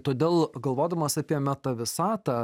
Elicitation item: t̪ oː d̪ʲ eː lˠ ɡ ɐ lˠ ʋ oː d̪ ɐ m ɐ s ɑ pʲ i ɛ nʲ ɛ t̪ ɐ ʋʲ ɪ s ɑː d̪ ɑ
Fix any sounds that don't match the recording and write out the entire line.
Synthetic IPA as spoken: t̪ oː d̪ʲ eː lˠ ɡ ɐ lˠ ʋ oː d̪ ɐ m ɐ s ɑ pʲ i ɛ mʲ ɛ t̪ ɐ ʋʲ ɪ s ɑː t̪ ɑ